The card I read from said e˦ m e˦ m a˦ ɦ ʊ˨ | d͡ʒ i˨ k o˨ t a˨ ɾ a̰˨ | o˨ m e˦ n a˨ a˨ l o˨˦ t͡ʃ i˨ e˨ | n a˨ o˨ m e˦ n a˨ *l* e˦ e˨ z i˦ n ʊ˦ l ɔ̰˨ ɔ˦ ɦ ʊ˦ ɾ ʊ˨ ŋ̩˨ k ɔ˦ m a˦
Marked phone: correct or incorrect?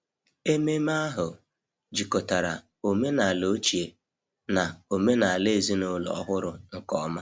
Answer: correct